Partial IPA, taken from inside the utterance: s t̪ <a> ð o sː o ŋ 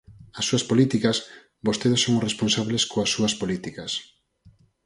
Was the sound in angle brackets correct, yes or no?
no